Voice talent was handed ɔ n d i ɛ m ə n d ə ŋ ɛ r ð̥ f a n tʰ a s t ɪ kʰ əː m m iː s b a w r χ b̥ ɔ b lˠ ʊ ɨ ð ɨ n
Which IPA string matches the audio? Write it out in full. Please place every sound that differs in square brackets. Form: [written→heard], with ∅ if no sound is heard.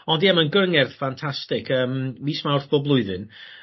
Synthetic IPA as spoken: ɔ n d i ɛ m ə n [d→ɡ] ə ŋ ɛ r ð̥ f a n tʰ a s t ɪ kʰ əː m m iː s [b→m] a w r [χ→θ] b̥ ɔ b lˠ ʊ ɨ ð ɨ n